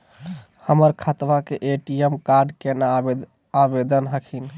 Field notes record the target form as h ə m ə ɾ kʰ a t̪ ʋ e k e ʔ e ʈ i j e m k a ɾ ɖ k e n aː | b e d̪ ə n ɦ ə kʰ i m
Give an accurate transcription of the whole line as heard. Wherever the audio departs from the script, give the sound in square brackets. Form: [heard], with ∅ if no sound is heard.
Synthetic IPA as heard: h ə m ə ɾ kʰ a t̪ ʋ [a] k e ʔ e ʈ i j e m k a ɾ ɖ k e n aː | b e d̪ ə n ɦ ə kʰ i [n]